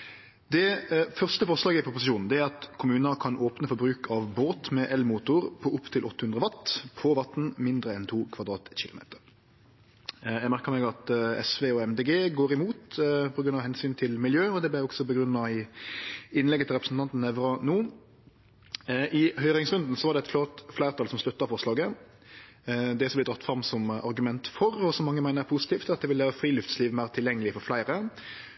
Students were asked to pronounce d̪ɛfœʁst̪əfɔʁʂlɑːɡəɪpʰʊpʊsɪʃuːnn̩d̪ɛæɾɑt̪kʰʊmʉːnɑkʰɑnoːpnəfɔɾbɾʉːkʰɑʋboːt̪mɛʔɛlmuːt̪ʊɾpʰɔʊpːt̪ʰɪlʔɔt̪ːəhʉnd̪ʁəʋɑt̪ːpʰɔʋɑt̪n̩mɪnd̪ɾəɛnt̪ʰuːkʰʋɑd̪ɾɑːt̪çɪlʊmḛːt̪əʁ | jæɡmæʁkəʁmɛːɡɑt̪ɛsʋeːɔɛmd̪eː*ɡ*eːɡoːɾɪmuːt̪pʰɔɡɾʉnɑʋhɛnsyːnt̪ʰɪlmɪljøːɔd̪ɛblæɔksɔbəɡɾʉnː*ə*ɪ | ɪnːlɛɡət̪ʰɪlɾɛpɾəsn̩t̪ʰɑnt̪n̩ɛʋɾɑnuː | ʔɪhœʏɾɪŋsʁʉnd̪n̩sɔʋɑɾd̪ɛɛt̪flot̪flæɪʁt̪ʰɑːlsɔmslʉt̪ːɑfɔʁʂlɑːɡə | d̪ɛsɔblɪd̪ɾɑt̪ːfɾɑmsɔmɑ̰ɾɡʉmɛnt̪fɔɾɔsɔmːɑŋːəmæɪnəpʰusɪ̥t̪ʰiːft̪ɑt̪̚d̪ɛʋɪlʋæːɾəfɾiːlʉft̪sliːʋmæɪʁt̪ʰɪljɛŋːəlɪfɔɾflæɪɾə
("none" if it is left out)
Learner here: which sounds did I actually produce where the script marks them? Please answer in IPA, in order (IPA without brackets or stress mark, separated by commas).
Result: ɡ, ɑ